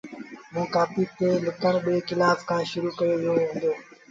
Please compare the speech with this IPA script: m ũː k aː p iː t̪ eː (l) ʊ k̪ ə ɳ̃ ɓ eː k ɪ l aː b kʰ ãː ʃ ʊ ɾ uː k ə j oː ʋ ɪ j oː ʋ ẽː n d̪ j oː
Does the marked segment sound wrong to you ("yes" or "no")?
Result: no